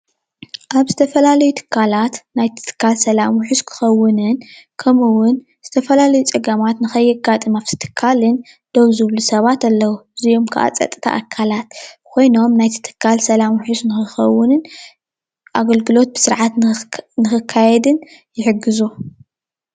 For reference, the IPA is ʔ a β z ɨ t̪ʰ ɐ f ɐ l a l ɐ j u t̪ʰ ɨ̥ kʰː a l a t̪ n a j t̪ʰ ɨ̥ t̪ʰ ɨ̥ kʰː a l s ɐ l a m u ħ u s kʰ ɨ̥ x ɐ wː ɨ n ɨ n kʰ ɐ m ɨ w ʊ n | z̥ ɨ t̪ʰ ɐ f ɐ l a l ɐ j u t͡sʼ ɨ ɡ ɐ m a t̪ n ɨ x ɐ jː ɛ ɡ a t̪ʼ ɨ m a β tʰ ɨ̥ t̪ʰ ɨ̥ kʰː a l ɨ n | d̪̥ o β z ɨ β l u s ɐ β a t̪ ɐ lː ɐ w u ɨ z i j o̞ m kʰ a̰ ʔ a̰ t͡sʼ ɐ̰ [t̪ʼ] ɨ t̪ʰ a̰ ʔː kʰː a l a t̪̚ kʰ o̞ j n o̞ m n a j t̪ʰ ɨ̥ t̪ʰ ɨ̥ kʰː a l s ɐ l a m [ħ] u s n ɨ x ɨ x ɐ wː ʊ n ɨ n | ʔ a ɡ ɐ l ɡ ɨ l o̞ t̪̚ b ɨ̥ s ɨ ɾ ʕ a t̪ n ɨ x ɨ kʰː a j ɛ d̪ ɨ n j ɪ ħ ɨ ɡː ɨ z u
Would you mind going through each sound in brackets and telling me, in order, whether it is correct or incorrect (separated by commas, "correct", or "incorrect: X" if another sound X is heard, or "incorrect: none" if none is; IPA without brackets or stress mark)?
correct, correct